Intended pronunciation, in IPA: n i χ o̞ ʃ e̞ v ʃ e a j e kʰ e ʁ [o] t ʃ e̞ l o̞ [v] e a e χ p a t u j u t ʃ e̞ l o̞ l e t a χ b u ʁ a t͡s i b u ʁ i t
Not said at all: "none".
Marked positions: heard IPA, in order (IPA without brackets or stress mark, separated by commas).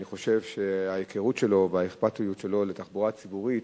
u, v